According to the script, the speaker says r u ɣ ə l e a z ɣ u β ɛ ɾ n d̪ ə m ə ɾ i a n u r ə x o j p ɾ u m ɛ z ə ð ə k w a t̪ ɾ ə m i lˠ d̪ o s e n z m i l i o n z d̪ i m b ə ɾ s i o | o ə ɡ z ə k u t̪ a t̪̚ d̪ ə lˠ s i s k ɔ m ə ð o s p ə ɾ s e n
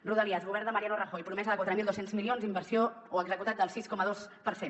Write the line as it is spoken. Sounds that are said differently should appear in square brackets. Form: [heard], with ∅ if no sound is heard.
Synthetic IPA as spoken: r u [ð] ə l [i] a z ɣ u β ɛ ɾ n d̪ ə m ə ɾ i a n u r ə x o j p ɾ u m ɛ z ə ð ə k w a t̪ ɾ ə m i lˠ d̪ o s e n z m i l i o n z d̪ i m b ə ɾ s i o | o ə ɡ z ə k u t̪ a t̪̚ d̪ ə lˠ s i s k ɔ m ə ð o s p ə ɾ s e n